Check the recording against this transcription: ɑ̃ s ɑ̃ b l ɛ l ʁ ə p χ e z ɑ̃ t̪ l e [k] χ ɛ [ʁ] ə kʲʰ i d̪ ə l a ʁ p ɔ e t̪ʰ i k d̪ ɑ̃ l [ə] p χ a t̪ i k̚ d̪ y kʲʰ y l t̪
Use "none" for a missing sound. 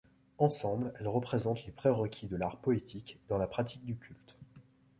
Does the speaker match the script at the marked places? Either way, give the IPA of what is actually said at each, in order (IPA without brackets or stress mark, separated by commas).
p, ʁ, a